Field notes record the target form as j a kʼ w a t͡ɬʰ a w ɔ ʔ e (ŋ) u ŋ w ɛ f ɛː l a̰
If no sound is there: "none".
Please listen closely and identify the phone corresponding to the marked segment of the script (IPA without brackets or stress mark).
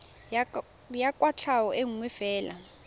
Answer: ŋ